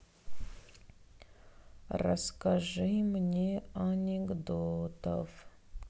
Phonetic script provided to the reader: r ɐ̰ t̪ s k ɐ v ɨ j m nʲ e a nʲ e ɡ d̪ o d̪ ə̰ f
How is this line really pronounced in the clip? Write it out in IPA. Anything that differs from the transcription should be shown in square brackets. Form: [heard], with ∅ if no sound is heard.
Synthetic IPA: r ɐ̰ [∅] s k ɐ [ʐ] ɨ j m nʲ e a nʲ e ɡ d̪ o [t̪] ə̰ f

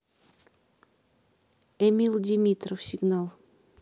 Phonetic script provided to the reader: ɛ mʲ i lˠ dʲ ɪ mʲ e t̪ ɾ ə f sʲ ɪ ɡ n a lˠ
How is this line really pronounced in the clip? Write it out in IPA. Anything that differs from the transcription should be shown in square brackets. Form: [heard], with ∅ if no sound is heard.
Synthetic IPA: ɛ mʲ i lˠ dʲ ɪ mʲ [i] t̪ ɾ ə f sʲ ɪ ɡ n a lˠ

